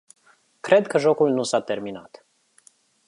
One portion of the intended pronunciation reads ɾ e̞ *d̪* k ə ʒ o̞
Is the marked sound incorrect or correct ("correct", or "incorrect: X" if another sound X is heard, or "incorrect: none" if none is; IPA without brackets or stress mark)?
correct